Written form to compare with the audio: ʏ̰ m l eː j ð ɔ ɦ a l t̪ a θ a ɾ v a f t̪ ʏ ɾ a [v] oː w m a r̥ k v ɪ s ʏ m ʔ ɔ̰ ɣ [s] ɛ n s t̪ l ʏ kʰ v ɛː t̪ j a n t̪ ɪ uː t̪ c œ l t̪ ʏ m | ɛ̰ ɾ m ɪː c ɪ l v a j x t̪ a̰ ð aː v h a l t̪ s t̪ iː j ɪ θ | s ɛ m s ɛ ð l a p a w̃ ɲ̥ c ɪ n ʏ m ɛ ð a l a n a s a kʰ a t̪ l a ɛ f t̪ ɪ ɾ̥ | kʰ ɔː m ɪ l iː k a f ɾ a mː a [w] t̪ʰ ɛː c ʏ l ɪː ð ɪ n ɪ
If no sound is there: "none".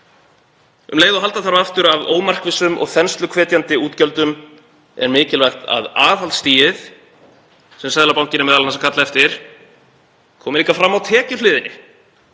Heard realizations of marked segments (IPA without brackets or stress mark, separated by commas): v, θ, w